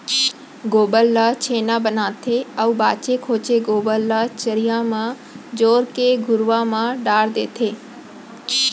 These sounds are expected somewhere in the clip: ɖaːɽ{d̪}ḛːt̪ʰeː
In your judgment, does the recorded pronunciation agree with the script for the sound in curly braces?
yes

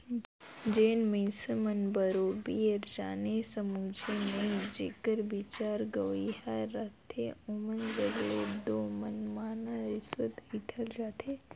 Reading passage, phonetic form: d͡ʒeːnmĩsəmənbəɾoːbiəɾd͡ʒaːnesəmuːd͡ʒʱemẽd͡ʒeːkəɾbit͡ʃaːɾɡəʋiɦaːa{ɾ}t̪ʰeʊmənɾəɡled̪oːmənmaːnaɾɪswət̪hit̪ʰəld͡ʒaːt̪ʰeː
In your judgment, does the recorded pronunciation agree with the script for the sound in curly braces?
no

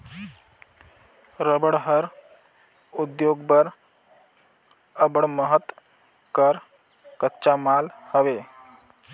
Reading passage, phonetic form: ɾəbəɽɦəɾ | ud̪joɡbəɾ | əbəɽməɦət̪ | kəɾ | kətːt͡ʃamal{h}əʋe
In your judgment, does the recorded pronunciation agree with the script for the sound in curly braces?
yes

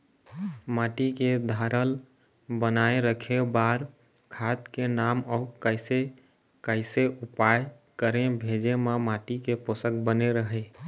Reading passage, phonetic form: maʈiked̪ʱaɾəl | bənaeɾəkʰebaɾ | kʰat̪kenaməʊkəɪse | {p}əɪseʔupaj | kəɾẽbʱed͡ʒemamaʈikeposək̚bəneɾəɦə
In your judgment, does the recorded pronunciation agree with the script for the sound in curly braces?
no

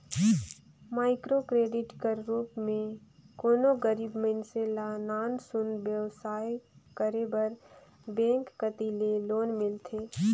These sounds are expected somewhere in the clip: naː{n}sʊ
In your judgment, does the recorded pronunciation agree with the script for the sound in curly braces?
yes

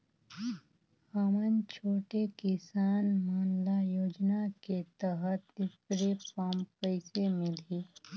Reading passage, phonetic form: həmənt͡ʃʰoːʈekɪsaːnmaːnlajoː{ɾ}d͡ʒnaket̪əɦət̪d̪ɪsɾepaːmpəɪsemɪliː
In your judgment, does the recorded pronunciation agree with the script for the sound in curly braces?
no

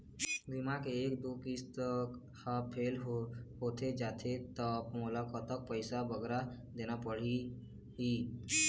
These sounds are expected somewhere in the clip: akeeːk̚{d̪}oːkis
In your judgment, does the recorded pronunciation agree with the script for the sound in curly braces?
yes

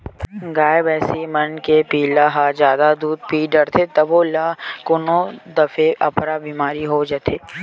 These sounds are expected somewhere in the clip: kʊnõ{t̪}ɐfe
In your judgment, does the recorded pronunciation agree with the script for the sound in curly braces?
no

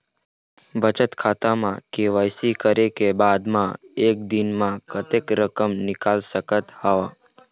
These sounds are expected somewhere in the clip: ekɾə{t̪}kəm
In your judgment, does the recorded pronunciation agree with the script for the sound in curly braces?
no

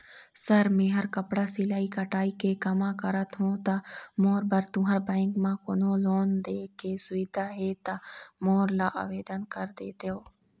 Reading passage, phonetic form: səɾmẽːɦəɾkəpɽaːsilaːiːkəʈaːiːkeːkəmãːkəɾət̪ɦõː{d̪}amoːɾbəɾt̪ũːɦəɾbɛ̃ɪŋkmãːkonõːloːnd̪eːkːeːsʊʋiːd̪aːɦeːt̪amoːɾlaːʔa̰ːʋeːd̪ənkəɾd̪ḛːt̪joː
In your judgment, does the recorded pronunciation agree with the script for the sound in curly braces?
no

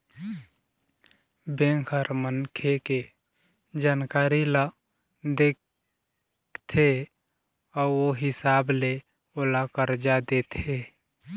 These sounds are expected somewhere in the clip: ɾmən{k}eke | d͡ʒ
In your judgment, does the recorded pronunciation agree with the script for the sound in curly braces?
no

